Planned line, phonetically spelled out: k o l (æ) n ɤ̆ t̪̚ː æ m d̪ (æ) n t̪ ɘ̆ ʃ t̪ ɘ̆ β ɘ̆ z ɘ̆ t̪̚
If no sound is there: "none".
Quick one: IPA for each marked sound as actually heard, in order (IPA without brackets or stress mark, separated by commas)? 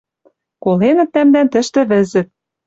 e, æ